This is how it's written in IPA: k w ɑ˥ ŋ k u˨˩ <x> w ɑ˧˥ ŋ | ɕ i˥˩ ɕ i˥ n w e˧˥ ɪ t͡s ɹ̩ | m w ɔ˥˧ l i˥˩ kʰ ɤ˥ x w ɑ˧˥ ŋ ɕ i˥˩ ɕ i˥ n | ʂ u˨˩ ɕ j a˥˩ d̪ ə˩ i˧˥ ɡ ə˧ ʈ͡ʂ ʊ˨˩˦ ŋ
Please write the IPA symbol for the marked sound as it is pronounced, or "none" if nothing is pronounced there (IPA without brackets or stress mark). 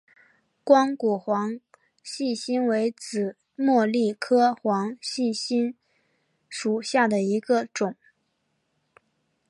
x